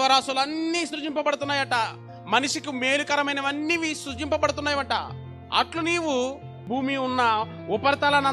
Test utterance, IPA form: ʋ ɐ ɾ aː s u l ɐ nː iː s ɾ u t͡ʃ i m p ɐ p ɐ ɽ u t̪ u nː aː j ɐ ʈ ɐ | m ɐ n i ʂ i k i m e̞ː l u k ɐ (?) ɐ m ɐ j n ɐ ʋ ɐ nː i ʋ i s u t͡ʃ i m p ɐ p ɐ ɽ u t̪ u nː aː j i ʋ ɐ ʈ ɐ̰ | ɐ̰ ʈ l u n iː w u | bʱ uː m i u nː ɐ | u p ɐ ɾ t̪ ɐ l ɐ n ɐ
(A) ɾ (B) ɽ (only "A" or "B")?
A